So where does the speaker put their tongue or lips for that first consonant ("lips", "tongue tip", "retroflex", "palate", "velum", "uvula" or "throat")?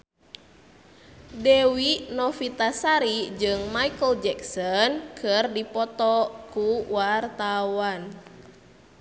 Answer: tongue tip